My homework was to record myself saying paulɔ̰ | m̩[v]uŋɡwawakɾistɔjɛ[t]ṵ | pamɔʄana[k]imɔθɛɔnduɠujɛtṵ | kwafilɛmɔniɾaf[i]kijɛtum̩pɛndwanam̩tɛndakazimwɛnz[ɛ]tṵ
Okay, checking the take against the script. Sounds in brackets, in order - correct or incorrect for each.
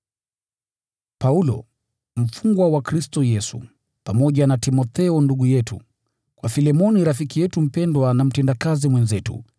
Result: incorrect: f, incorrect: s, incorrect: t, correct, correct

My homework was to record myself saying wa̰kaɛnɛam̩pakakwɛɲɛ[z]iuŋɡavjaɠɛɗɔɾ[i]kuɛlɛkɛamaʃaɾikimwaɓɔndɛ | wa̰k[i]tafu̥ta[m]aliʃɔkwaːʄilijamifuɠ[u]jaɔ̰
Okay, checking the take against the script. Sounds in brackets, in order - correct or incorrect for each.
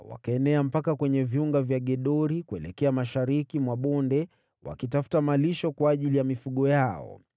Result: incorrect: v, correct, correct, correct, incorrect: ɔ

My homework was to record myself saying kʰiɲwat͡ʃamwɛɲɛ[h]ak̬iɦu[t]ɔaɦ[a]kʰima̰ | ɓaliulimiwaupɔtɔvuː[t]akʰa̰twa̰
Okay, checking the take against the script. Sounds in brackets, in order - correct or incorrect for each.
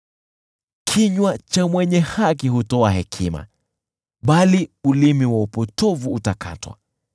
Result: correct, correct, incorrect: ɛ, correct

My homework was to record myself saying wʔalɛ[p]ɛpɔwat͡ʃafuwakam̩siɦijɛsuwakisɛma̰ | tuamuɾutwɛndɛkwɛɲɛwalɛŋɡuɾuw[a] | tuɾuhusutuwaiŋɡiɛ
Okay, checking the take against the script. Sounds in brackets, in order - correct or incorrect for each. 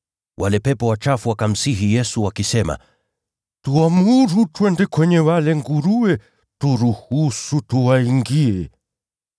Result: correct, incorrect: ɛ

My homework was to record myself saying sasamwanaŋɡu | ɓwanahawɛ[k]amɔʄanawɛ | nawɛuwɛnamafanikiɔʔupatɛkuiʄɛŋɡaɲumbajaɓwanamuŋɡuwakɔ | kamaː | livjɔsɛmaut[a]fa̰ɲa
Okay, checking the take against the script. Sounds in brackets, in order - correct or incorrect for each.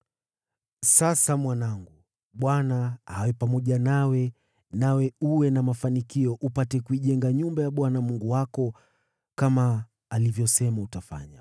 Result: incorrect: p, correct

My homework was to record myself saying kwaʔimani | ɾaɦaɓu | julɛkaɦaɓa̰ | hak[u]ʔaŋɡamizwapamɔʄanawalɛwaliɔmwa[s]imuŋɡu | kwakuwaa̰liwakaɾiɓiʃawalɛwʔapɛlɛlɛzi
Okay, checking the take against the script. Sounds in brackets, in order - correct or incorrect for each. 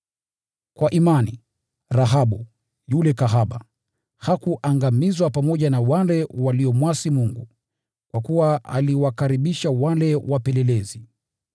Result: correct, correct

